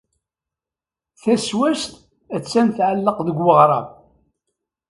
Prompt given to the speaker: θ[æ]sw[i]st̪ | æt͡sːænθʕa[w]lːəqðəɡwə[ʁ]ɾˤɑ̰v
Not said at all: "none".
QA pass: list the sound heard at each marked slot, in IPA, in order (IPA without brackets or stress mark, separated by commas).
æ, æ, none, ʁ